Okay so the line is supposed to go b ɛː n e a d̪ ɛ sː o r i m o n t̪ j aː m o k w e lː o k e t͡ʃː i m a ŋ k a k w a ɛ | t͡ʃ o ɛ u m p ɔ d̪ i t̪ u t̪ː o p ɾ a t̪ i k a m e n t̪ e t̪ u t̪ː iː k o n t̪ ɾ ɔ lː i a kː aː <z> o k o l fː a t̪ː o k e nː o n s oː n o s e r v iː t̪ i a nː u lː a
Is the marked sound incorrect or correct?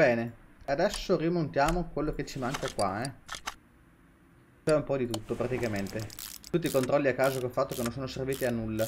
correct